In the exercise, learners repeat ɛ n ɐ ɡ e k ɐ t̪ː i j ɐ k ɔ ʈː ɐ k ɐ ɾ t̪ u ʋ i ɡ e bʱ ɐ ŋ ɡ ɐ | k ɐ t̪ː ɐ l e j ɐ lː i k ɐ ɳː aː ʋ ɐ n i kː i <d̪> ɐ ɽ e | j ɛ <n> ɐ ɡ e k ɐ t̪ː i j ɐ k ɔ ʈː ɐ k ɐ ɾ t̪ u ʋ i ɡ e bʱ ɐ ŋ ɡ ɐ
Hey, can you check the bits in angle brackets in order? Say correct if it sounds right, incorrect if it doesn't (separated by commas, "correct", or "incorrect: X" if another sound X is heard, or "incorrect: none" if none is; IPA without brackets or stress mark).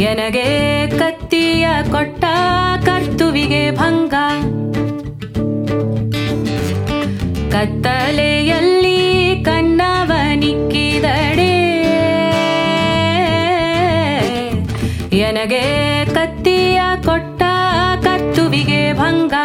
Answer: correct, correct